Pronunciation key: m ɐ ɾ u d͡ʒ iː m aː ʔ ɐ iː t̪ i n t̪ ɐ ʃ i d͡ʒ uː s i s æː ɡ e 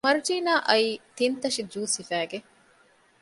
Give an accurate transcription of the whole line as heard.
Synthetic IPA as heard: m ɐ ɾ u d͡ʒ iː n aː ʔ ɐ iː t̪ i n t̪ ɐ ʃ i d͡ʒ uː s i f æː ɡ e